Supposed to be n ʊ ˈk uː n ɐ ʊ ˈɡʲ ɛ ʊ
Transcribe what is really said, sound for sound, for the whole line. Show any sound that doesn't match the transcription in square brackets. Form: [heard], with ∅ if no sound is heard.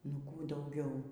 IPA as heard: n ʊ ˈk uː [d] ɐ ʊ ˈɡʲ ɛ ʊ

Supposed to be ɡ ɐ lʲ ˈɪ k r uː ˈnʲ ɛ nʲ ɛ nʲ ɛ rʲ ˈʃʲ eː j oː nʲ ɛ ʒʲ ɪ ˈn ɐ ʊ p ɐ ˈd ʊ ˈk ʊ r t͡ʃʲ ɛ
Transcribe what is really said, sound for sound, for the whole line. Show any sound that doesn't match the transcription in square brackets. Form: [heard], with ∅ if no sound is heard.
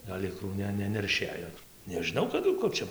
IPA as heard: ɡ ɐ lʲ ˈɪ k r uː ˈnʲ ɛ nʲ ɛ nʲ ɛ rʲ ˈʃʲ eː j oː nʲ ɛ ʒʲ ɪ ˈn ɐ ʊ [k] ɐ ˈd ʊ ˈk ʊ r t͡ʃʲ ɛ

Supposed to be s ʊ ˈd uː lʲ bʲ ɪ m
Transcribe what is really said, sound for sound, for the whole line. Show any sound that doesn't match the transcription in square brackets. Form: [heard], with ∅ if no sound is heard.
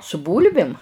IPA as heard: s ʊ [ˈb] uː lʲ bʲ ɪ m

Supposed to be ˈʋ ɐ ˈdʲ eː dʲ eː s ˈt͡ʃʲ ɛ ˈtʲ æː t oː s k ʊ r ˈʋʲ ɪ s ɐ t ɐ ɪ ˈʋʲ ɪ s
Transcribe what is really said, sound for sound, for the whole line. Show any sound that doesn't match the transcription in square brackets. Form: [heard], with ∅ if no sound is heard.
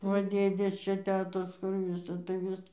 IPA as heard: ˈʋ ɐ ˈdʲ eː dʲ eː s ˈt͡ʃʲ ɛ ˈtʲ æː t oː s k ʊ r ˈʋʲ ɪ s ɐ t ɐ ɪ ˈʋʲ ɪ s

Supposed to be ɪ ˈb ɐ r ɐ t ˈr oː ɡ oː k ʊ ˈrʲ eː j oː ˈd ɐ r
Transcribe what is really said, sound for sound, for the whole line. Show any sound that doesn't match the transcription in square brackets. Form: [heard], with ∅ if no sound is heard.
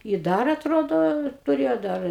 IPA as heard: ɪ [ˈd] ɐ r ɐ t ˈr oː [d] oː [t] ʊ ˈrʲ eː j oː ˈd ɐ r

